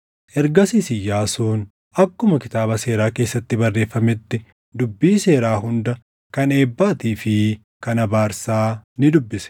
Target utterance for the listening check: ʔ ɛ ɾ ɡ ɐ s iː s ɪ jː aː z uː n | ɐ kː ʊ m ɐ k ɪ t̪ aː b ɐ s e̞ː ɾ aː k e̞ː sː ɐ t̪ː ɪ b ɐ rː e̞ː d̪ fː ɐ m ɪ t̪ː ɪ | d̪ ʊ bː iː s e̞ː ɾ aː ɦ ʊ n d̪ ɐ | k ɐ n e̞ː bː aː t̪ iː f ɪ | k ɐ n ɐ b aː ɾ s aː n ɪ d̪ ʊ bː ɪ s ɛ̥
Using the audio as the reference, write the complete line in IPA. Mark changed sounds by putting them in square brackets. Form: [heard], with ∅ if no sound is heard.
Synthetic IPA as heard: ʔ ɛ ɾ ɡ ɐ s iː s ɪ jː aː [s] uː n | ɐ kː ʊ m ɐ k ɪ t̪ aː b ɐ s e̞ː ɾ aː k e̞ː sː ɐ t̪ː ɪ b ɐ rː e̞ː [∅] fː ɐ m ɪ t̪ː ɪ | d̪ ʊ bː iː s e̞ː ɾ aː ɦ ʊ n d̪ ɐ | k ɐ n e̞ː bː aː t̪ iː f ɪ | k ɐ n ɐ b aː ɾ s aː n ɪ d̪ ʊ bː ɪ s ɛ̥